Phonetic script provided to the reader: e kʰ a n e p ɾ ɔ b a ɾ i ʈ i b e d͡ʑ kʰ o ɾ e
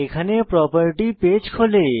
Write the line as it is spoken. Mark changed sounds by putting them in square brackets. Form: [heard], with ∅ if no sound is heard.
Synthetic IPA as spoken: e kʰ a n e p ɾ ɔ [p] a ɾ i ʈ i [p] e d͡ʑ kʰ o [l] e